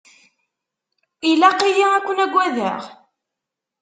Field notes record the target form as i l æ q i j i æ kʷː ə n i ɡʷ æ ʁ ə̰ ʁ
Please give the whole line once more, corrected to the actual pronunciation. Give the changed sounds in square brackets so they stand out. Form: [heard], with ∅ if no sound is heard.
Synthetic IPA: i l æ q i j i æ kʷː ə n [æ] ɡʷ æ [ð] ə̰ ʁ